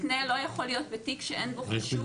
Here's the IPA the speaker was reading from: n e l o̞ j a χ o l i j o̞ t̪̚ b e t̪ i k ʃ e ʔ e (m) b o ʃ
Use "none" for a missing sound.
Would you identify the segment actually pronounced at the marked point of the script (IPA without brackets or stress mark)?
n